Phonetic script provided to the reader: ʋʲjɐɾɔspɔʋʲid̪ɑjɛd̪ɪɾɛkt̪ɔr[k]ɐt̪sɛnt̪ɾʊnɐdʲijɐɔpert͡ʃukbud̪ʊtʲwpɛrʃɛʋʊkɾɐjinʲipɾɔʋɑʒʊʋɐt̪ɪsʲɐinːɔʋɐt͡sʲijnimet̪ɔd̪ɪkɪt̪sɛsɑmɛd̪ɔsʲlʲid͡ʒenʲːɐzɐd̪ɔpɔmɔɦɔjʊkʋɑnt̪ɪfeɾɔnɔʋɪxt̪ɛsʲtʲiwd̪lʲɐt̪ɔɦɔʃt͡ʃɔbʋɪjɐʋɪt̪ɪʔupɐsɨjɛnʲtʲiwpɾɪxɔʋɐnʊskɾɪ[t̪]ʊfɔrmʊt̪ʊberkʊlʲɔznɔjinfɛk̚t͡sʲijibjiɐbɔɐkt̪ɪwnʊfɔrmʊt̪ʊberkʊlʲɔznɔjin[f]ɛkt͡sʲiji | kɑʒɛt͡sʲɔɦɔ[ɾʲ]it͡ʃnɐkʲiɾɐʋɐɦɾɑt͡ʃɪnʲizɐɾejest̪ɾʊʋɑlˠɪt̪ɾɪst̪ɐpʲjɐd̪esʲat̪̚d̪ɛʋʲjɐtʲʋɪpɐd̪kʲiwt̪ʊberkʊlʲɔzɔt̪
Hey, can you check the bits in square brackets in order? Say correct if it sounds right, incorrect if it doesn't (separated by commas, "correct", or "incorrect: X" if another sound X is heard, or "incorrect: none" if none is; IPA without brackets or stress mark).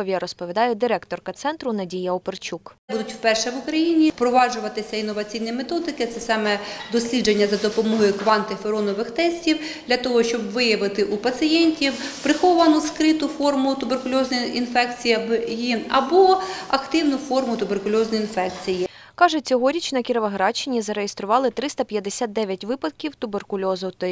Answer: correct, correct, correct, correct